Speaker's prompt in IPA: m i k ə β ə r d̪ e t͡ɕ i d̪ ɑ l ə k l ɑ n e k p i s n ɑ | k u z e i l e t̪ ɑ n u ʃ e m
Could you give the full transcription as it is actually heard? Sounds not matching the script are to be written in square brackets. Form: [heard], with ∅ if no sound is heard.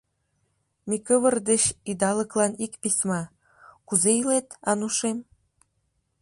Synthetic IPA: m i k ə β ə r d̪ e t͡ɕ i d̪ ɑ l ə k l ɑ n [i] k p i s [m] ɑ | k u z e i l e t̪ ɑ n u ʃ e m